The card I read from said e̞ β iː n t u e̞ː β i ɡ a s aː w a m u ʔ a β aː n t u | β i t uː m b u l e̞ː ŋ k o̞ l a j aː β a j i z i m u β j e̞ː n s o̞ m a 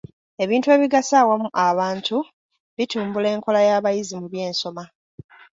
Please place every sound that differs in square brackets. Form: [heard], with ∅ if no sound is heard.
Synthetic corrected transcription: e̞ β iː n t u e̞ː β i ɡ a s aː w a m u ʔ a β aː n t u | β i t uː m b u l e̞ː ŋ k o̞ l a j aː β a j i z i m u β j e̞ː n s o̞ m a